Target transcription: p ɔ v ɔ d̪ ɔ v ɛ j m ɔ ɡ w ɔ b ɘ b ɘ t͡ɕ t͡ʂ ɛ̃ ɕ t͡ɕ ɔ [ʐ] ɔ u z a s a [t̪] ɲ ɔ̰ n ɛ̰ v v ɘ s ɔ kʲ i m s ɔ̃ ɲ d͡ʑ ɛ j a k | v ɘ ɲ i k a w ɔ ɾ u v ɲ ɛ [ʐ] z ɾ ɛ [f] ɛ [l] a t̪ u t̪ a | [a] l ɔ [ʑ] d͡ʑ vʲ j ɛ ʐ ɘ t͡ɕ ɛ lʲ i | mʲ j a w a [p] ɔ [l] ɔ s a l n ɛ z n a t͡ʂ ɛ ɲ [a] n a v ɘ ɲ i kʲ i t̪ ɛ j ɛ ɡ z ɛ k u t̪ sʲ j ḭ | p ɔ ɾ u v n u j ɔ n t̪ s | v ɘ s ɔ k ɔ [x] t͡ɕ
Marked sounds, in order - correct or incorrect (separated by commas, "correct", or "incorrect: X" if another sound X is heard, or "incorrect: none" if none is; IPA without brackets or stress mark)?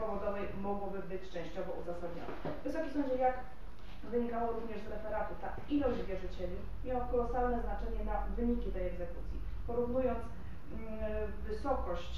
incorrect: v, incorrect: d̪, correct, correct, incorrect: ɾ, incorrect: i, correct, incorrect: k, correct, incorrect: ɛ, incorrect: ɕ